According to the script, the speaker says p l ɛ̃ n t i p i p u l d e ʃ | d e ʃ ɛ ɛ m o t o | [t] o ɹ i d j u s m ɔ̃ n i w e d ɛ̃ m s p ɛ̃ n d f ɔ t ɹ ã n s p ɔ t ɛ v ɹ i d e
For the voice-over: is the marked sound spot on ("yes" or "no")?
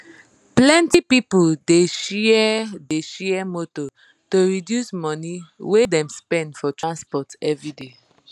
yes